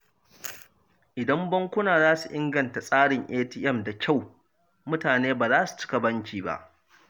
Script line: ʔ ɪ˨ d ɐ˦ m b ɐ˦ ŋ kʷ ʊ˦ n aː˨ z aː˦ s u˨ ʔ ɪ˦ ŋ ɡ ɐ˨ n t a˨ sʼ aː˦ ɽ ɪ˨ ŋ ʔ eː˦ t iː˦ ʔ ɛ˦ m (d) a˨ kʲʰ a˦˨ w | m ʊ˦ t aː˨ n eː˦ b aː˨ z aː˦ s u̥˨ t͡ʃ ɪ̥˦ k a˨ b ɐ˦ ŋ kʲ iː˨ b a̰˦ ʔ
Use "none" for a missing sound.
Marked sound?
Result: d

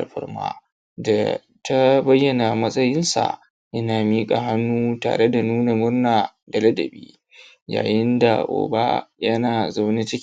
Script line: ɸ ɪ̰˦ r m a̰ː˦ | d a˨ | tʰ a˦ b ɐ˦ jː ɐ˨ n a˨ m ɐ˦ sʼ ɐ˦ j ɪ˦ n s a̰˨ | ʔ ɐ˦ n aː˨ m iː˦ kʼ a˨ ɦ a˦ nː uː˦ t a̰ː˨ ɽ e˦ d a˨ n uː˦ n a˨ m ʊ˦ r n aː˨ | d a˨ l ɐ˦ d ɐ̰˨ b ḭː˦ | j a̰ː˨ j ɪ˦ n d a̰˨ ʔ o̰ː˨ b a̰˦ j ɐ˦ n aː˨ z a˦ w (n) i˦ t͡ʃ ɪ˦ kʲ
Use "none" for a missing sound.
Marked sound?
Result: n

